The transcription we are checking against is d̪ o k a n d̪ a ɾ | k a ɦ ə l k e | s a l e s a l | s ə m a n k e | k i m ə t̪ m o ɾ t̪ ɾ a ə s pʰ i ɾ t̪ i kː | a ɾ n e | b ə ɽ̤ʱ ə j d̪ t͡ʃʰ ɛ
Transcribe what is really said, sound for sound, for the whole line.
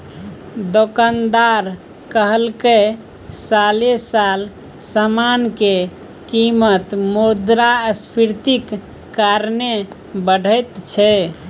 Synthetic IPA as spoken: d̪ o k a n d̪ a ɾ | k ə ɦ ə l k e | s a l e s a l | s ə m a n k e | k i m ə t̪ m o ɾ d̪ ɾ a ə s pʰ i ɾ t̪ i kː | a ɾ n e | b ə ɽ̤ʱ ə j t̪ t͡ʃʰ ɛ